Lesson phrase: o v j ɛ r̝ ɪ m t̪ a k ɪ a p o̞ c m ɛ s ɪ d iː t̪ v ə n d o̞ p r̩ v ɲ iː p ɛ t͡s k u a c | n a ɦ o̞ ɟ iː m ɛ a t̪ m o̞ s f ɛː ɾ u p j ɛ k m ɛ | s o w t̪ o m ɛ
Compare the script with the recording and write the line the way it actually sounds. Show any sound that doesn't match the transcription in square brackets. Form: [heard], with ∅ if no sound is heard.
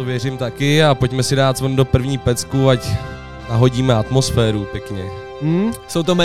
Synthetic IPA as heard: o v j ɛ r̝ ɪ m t̪ a k ɪ a p o̞ c m ɛ s ɪ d [aː] t̪ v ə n d o̞ p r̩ v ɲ iː p ɛ t͡s k u a c | n a ɦ o̞ ɟ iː m ɛ a t̪ m o̞ s f ɛː ɾ u p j ɛ k [ɲ] ɛ | s o w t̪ o m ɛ